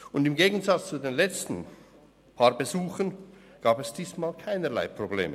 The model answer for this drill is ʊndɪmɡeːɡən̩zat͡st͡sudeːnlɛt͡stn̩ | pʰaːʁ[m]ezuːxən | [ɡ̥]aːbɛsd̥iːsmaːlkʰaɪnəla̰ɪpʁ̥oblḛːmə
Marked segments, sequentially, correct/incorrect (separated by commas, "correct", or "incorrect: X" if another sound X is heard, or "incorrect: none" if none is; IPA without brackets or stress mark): incorrect: b, correct